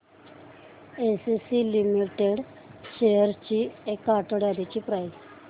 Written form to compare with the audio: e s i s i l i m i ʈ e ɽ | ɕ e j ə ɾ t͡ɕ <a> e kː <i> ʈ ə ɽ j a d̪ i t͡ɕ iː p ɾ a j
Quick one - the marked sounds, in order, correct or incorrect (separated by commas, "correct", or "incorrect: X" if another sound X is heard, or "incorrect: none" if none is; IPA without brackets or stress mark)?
incorrect: i, incorrect: a